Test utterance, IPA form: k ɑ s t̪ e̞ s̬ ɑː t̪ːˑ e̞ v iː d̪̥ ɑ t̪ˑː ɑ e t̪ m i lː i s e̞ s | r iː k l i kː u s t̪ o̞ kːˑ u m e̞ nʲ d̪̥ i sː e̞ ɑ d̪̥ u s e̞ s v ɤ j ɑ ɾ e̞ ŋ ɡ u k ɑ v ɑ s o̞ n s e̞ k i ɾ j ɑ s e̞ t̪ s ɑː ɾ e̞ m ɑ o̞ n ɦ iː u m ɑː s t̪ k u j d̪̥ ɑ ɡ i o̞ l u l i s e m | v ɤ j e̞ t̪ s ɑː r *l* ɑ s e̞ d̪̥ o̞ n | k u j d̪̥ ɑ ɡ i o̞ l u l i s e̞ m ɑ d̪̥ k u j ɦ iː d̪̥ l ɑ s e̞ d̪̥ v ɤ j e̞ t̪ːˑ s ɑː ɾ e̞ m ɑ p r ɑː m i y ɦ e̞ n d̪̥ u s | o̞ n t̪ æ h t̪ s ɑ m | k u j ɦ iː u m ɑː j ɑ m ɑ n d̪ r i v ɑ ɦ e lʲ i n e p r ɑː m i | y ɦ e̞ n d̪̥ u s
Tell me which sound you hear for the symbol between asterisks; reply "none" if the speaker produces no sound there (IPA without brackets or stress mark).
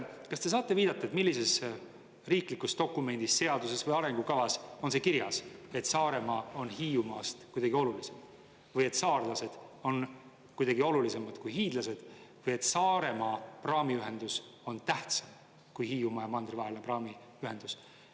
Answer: l